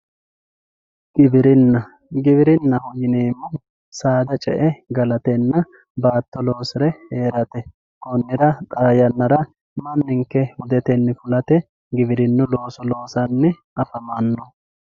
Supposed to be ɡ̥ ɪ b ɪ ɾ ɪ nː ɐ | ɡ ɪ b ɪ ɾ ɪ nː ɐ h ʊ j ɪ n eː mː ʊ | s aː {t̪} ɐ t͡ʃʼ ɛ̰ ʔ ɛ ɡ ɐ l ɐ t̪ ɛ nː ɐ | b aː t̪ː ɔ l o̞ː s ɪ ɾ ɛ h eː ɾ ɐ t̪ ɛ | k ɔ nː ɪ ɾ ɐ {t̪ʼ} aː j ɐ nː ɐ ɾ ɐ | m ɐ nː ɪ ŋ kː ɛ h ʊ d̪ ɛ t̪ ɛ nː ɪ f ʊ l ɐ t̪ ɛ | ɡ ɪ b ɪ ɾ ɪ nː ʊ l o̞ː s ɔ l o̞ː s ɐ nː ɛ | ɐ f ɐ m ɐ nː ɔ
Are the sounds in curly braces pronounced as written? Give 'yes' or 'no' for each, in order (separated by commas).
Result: no, yes